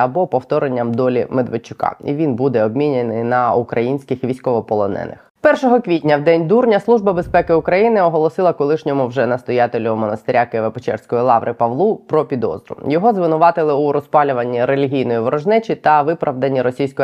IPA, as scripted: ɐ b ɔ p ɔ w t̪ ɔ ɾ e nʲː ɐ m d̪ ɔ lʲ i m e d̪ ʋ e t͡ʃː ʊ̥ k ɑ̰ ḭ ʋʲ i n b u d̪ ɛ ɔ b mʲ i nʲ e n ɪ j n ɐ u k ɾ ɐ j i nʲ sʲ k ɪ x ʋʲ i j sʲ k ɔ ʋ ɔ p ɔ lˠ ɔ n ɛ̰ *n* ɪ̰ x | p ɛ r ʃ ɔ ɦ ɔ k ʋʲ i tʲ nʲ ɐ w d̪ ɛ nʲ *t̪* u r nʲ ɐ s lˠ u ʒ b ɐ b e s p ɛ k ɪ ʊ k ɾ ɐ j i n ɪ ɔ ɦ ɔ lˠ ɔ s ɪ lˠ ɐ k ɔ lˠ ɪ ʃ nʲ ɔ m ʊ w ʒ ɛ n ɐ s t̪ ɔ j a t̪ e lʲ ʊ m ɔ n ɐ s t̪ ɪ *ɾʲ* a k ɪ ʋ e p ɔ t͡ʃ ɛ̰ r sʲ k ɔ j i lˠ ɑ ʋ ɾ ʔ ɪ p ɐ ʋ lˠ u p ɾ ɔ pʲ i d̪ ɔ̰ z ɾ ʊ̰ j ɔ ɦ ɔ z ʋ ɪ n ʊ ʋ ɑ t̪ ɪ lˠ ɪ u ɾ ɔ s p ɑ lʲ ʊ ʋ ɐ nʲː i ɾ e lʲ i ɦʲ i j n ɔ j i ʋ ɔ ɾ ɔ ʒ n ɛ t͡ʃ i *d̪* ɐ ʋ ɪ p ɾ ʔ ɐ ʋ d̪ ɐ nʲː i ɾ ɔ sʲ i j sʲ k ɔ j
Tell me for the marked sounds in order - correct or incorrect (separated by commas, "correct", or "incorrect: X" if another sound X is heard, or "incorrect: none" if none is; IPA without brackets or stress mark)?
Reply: correct, incorrect: d̪, correct, incorrect: t̪